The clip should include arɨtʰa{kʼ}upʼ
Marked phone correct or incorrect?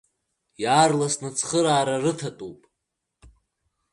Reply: incorrect